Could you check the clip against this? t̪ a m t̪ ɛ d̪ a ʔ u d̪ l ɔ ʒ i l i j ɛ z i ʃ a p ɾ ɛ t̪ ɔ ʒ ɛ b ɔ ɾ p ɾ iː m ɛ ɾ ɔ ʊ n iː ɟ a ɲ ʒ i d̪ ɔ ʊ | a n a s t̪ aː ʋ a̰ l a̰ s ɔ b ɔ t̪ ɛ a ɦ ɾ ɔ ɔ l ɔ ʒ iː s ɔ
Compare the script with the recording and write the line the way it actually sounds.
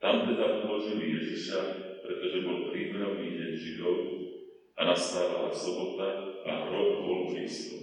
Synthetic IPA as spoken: t̪ a m t̪ ɛ d̪ a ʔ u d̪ l ɔ ʒ i l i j ɛ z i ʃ a p ɾ ɛ t̪ ɔ ʒ ɛ b ɔ l p ɾ iː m ɛ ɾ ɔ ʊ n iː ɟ ɛ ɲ ʒ i d̪ ɔ ʊ | a n a s t̪ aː ʋ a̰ l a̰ s ɔ b ɔ t̪ a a ɦ ɾ ɔ ɔ l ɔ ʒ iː s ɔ